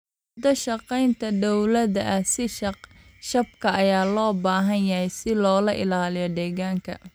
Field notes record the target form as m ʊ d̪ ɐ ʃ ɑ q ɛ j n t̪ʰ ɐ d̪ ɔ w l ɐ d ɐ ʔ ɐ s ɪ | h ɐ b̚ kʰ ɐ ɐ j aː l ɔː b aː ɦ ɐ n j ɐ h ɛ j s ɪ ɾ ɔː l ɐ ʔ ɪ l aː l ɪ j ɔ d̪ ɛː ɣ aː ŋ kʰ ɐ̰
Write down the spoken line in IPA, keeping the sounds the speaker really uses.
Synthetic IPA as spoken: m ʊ d̪ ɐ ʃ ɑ q ɛ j n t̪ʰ ɐ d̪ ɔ w l ɐ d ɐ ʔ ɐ s ɪ | ʃ ɐ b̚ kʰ ɐ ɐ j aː l ɔː b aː ɦ ɐ n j ɐ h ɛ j s ɪ l ɔː l ɐ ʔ ɪ l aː l ɪ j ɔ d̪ ɛː ɣ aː ŋ kʰ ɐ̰